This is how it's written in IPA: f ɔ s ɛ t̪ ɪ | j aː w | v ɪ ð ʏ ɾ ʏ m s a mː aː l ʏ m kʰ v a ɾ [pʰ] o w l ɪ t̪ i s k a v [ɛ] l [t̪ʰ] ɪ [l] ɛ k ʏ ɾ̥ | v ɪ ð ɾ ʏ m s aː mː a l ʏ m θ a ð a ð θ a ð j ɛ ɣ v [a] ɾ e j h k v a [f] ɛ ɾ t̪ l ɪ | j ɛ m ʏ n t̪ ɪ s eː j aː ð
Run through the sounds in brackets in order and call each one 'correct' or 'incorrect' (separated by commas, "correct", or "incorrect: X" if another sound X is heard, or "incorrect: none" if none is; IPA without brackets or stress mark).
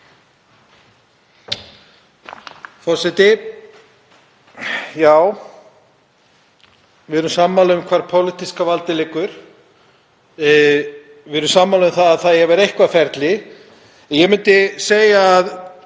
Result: correct, incorrect: a, incorrect: t̪, correct, incorrect: ɛ, correct